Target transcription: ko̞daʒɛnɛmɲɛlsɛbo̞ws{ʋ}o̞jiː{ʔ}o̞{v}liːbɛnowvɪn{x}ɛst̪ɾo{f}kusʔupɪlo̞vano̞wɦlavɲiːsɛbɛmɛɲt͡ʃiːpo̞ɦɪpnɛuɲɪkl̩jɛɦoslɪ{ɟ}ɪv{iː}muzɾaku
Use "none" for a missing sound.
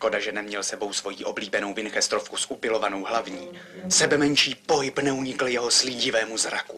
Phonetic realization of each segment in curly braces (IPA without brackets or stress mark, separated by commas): v, ʔ, b, x, f, ɟ, ɛː